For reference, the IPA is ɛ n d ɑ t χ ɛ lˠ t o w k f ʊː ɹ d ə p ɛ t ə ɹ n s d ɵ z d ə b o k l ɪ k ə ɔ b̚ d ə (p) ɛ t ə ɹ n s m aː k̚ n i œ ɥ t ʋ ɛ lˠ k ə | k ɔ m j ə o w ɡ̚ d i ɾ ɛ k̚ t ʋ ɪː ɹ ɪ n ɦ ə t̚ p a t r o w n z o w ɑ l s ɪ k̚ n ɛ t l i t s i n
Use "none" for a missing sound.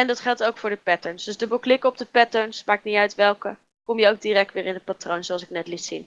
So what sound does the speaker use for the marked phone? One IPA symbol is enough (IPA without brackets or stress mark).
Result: p